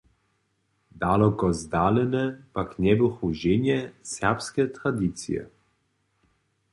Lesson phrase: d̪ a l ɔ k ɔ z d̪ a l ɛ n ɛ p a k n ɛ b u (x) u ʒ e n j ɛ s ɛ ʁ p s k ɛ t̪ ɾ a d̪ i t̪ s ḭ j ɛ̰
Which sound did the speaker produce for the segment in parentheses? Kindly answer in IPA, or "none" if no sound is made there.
x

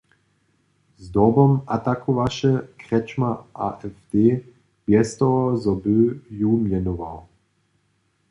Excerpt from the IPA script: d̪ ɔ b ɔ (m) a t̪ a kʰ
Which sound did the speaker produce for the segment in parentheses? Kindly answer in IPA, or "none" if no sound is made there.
m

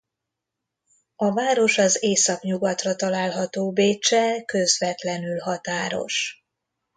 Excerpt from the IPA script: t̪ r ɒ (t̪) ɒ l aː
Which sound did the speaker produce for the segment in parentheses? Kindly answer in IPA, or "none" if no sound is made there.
t̪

